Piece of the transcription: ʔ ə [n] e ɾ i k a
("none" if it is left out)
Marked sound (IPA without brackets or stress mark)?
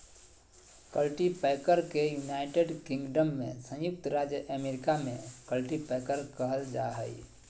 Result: m